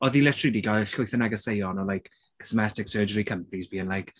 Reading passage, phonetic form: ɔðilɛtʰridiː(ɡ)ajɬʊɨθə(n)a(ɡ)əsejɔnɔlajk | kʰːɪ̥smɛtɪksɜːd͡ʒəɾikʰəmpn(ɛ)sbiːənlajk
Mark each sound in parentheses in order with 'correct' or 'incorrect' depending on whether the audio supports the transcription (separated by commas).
correct, correct, correct, incorrect